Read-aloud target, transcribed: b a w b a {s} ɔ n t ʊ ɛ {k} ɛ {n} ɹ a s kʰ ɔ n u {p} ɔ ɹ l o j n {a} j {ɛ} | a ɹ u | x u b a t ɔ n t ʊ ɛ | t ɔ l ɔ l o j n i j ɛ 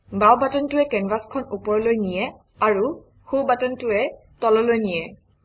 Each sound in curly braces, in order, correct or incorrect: incorrect, correct, correct, correct, incorrect, correct

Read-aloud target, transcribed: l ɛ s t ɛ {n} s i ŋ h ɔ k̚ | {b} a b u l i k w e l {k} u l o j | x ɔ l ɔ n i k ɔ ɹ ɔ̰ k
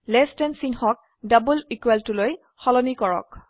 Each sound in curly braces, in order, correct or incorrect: correct, incorrect, incorrect

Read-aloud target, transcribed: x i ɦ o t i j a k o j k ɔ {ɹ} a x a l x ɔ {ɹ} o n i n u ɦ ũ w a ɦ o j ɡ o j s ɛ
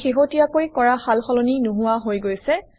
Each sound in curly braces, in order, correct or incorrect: correct, incorrect

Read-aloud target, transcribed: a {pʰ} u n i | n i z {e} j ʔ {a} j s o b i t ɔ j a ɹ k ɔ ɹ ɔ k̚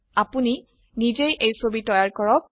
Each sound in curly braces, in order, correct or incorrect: incorrect, correct, incorrect

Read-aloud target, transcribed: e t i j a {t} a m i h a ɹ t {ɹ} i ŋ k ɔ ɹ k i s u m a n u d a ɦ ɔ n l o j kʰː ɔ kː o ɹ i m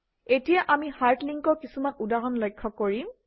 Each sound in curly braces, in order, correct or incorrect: incorrect, incorrect

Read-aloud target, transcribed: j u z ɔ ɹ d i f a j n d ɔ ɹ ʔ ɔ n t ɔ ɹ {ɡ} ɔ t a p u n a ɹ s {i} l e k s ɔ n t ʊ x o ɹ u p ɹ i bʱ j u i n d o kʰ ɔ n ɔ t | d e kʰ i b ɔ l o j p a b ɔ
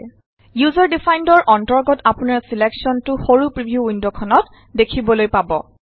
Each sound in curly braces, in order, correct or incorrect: correct, correct

